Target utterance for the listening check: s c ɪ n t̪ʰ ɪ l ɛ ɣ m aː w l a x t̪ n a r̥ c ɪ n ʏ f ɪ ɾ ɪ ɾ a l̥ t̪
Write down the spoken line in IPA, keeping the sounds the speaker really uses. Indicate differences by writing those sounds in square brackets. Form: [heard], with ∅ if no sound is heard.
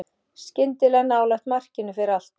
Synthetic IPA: s c ɪ n [t̪] ɪ l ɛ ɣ [n] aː w l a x t̪ [m] a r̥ c ɪ n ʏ f ɪ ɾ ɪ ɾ a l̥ t̪